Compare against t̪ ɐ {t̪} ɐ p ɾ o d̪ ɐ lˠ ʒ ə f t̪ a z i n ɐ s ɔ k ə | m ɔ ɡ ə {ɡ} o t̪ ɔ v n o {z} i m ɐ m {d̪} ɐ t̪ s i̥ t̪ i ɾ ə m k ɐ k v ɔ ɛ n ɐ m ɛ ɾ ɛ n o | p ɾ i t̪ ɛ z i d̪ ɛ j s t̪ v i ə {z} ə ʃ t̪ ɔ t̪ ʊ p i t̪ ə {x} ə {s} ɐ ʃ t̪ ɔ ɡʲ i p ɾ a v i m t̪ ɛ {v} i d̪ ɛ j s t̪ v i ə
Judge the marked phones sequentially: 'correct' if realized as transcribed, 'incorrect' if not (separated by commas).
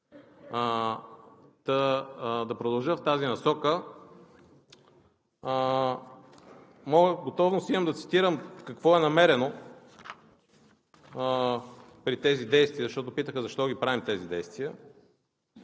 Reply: incorrect, correct, incorrect, correct, correct, correct, incorrect, incorrect